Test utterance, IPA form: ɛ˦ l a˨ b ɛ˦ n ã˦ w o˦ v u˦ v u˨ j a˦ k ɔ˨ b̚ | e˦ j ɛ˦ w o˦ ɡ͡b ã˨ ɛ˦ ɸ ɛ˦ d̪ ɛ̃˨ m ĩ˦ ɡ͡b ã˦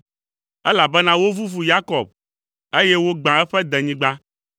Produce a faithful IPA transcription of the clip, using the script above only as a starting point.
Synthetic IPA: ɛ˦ l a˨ b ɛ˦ n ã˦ w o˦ v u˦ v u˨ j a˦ k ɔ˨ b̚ | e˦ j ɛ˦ w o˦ ɡ͡b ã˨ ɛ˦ ɸ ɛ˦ d̪ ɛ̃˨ ɲ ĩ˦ ɡ͡b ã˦

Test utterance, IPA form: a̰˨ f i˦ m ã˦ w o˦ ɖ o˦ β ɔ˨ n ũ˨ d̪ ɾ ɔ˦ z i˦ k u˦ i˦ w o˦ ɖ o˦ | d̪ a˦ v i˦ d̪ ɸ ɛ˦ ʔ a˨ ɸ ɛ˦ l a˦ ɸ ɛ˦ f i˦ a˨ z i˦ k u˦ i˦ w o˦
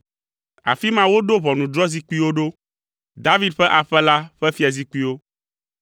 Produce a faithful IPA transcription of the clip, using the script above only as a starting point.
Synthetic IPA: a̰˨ f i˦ m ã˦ w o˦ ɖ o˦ β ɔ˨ n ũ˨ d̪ ɾ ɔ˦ z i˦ k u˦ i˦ w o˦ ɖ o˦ | d̪ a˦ v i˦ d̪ ɸ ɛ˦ ʔ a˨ ɸ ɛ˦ l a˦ ɸ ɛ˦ f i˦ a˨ z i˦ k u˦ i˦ w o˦

